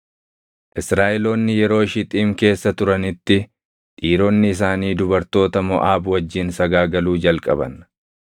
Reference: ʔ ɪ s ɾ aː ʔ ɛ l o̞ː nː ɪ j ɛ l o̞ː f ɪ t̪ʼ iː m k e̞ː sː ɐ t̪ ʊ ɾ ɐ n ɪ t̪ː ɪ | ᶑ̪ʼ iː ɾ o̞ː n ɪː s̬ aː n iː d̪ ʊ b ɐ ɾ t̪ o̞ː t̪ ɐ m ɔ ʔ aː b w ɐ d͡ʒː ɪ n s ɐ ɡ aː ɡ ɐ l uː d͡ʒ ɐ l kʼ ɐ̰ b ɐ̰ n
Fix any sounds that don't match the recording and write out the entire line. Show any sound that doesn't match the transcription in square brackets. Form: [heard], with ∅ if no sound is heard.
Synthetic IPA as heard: ʔ ɪ s ɾ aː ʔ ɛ l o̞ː nː ɪ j ɛ [ɾ] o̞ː [ʃ] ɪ t̪ʼ iː m k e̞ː sː ɐ t̪ ʊ ɾ ɐ n ɪ t̪ː ɪ | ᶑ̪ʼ iː ɾ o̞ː [nː] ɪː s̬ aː n iː d̪ ʊ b ɐ ɾ t̪ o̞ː t̪ ɐ m ɔ ʔ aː b w ɐ d͡ʒː ɪ n s ɐ ɡ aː ɡ ɐ l uː d͡ʒ ɐ l kʼ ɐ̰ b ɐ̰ n